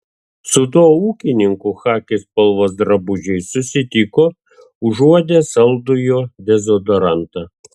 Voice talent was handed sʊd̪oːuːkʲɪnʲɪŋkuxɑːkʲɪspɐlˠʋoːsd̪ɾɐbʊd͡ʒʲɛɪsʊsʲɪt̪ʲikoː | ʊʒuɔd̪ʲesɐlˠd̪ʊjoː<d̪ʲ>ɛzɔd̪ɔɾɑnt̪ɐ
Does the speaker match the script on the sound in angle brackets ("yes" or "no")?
yes